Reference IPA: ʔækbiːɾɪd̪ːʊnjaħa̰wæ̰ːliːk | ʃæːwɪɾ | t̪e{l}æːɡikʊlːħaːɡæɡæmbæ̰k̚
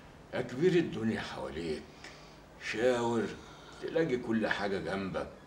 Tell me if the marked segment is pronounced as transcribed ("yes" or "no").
yes